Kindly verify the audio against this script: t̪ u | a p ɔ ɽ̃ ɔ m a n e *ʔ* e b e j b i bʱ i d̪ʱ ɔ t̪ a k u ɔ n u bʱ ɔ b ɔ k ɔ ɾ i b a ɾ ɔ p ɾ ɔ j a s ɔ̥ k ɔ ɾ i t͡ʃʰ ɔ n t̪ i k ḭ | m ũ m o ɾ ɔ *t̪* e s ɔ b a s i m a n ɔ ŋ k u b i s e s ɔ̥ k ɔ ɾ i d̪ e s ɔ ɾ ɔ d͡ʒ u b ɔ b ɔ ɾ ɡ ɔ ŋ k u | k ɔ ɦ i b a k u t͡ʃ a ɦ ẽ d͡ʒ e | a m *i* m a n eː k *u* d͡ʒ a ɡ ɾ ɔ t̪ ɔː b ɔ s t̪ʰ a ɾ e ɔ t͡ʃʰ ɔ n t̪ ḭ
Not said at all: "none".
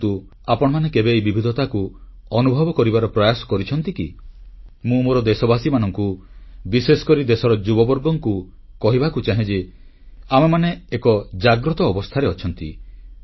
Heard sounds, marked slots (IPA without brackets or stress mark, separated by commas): k, d̪, e, ɔ